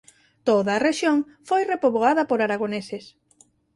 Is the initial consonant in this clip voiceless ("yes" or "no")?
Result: yes